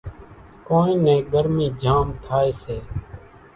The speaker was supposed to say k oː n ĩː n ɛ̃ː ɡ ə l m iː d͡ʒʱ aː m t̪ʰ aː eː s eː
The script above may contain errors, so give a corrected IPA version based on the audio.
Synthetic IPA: k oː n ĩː n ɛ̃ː ɡ ə ɾ m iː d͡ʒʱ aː m t̪ʰ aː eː s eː